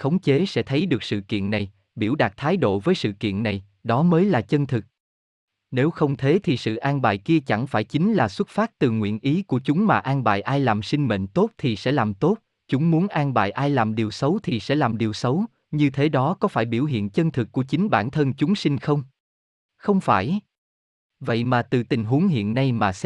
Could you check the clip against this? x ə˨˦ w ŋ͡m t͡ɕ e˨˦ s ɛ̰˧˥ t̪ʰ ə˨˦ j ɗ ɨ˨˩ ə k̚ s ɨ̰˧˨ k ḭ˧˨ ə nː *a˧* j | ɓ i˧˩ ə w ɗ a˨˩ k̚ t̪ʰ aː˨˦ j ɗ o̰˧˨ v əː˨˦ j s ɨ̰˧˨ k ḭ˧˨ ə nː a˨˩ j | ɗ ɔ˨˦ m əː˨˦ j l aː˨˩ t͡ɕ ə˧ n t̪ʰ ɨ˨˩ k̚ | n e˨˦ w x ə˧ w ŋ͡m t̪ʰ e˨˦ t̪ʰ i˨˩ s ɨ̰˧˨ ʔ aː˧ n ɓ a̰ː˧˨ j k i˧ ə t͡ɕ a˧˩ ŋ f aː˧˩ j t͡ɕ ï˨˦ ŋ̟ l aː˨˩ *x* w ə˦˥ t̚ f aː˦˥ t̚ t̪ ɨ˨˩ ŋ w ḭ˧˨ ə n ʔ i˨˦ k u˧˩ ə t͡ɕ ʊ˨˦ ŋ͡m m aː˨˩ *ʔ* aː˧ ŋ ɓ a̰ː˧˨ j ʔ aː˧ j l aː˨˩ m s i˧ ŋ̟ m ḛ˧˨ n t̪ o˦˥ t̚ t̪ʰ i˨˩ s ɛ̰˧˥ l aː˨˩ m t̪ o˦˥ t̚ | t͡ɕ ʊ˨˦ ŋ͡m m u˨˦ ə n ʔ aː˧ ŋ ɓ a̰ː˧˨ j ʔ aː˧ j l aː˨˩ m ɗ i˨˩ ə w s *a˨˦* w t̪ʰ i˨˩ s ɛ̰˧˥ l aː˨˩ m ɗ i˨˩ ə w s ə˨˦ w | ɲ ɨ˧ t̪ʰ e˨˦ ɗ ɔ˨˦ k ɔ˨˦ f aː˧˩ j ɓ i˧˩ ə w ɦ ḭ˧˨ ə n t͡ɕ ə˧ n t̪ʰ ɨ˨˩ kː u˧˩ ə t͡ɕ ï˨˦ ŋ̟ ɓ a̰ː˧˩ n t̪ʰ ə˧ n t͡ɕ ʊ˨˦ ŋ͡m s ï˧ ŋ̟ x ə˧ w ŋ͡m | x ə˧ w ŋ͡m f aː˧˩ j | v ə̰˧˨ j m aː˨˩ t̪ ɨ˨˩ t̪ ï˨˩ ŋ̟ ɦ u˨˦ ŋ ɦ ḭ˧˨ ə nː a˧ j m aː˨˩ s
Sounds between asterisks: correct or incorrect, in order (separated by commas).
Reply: incorrect, incorrect, correct, incorrect